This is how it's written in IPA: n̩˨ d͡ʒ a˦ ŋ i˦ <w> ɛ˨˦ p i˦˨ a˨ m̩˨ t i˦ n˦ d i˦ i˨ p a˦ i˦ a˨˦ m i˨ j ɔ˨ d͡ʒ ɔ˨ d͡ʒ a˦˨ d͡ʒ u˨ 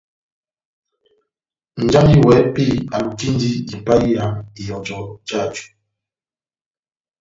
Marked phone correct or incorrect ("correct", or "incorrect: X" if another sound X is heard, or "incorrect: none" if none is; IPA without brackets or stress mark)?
correct